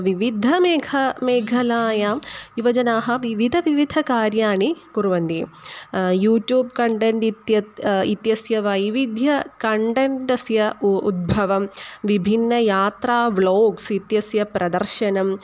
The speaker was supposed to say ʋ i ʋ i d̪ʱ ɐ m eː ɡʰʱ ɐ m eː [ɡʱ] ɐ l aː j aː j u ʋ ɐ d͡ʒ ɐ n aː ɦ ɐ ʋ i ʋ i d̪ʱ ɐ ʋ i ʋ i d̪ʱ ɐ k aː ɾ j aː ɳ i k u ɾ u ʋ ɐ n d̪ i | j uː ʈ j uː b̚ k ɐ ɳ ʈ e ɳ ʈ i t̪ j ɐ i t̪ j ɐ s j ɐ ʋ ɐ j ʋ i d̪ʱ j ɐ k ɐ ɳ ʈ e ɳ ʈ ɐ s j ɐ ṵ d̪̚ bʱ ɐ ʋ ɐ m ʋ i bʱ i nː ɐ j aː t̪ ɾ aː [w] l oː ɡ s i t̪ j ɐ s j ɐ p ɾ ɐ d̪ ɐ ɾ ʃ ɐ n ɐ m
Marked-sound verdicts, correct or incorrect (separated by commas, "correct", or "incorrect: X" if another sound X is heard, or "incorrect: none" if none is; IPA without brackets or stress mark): correct, incorrect: ʋ